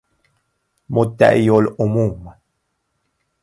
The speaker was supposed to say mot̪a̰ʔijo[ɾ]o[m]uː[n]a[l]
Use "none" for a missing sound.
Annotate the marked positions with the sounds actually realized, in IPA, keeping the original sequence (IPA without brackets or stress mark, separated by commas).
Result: l, m, m, none